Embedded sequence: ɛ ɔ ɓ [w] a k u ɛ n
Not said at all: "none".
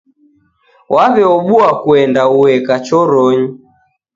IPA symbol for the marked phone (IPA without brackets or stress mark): u